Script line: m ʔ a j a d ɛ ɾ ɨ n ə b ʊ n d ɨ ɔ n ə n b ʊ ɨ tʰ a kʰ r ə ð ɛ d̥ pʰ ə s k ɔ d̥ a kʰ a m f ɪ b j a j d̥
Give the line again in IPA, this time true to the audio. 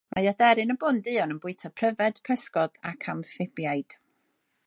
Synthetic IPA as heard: m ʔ a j a d ɛ ɾ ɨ n ə b ʊ n d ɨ ɔ n ə n b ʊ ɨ tʰ a pʰ r ə v ɛ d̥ pʰ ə s k ɔ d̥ a kʰ a m f ɪ b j a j d̥